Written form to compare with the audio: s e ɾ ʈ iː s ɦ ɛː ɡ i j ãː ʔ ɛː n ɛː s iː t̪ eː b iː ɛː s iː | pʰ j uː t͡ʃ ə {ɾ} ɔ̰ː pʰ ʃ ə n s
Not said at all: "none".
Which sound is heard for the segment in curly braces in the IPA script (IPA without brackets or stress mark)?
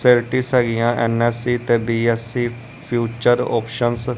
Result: ɾ